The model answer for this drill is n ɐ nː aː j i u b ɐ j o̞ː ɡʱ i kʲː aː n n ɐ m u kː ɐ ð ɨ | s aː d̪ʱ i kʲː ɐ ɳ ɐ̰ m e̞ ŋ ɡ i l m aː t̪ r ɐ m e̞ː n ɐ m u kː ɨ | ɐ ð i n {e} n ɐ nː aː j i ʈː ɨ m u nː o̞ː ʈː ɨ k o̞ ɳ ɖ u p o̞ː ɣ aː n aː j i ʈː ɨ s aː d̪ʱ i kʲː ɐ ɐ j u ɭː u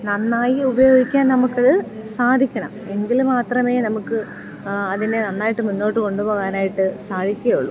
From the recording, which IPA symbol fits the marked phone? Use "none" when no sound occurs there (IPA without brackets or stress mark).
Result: e